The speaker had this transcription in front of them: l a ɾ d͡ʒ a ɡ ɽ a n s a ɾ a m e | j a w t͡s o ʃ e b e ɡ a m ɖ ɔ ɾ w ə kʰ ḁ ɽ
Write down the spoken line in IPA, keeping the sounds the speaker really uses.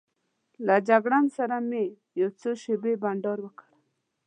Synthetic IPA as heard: l a d͡ʒ a ɡ ɽ a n s a ɾ a m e | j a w t͡s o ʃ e b e b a ɳ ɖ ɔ ɾ w ə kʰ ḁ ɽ